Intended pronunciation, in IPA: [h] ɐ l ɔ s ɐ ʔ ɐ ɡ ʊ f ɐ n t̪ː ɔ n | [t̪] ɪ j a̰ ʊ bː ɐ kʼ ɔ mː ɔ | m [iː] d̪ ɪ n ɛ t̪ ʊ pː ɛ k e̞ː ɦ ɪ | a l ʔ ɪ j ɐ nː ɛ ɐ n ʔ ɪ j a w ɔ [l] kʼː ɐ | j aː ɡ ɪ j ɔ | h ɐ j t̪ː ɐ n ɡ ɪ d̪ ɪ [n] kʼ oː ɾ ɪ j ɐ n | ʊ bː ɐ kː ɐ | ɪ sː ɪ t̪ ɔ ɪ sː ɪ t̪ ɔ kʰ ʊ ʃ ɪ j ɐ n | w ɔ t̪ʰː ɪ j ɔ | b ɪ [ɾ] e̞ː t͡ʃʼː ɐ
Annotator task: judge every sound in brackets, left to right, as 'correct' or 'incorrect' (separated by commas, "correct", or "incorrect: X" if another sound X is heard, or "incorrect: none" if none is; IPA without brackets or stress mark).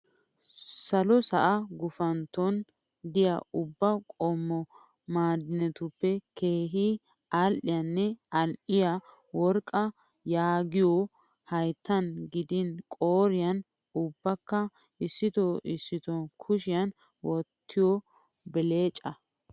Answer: incorrect: s, incorrect: d̪, incorrect: aː, incorrect: ɾ, correct, incorrect: l